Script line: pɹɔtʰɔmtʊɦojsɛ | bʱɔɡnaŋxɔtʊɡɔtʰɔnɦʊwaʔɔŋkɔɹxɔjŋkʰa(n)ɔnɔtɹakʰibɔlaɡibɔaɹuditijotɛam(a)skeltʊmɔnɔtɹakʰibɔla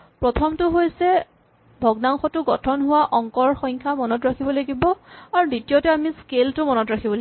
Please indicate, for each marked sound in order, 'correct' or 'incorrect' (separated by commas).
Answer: incorrect, incorrect